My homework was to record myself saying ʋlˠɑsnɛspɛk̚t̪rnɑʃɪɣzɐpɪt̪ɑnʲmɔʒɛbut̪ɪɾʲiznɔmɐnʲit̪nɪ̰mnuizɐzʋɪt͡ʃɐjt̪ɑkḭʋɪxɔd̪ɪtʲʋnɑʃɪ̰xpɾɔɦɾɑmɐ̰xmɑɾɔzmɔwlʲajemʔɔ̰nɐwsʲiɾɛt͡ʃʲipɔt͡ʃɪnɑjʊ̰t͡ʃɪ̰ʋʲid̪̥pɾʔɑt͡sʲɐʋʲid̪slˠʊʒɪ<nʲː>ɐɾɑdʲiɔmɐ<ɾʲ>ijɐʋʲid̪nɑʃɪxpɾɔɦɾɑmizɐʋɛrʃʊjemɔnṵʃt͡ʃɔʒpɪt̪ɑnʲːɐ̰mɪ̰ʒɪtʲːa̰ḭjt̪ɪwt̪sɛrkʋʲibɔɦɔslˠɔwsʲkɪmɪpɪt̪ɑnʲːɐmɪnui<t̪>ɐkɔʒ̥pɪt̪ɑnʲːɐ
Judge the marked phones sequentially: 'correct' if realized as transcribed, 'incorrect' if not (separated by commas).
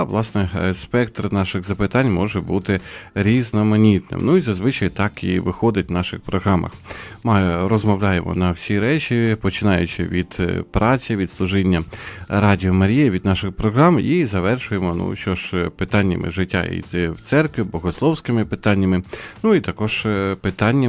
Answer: correct, correct, correct